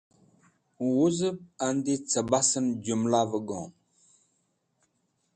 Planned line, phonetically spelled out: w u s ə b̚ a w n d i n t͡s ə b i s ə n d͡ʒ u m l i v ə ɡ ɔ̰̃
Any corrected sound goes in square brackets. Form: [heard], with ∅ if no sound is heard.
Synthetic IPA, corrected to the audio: w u [z] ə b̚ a [∅] n d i [∅] t͡s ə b [a] s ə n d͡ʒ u m l [a] v ə ɡ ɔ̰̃